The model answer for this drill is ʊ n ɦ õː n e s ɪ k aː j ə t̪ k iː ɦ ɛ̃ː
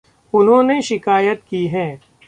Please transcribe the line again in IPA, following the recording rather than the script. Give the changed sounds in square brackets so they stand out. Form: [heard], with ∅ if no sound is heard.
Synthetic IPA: ʊ n ɦ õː n e [ʃ] ɪ k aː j ə t̪ k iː ɦ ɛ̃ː